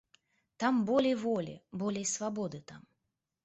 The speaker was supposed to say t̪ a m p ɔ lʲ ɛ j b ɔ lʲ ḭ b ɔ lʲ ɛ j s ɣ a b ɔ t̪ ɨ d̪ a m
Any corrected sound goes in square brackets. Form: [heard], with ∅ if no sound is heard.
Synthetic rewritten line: t̪ a m [b] ɔ lʲ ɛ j [v] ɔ lʲ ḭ b ɔ lʲ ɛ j s [v] a b ɔ [d̪] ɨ [t̪] a m